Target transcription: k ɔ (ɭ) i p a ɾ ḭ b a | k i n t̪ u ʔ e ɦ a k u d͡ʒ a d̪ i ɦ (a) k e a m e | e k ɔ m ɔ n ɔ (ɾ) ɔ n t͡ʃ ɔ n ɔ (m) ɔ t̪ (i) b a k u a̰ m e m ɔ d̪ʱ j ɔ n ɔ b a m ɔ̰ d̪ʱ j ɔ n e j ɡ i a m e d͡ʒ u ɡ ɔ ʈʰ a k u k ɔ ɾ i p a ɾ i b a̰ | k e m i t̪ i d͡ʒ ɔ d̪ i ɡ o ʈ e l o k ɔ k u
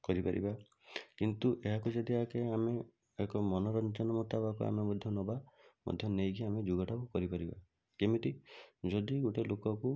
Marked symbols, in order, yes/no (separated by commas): no, yes, yes, yes, no